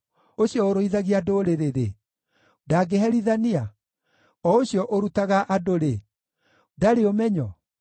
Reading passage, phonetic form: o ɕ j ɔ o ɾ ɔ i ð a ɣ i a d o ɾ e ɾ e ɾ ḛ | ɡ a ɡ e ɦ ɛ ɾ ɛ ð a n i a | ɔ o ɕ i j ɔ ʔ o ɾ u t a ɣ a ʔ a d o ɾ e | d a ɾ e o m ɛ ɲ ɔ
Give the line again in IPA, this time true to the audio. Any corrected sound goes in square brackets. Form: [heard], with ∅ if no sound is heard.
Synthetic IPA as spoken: o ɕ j ɔ o ɾ [o] i ð a ɣ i a d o ɾ e ɾ e ɾ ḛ | [d] a ɡ e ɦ ɛ ɾ [i] ð a n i a | ɔ o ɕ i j ɔ ʔ o ɾ u t a ɣ a ʔ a d o ɾ e | d a ɾ e o m ɛ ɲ ɔ